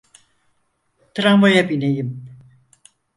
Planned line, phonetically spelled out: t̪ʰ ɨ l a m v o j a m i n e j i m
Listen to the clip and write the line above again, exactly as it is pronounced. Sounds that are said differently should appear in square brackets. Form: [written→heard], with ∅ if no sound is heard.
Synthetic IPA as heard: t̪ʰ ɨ [l→ɾ] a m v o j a [m→b] i n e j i m